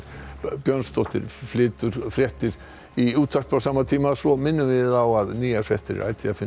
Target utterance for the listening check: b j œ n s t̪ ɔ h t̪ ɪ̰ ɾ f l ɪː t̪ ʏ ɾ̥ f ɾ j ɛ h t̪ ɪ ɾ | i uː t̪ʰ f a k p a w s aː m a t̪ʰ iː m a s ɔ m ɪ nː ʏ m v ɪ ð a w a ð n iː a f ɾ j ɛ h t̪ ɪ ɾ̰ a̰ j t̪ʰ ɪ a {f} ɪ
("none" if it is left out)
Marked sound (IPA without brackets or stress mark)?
f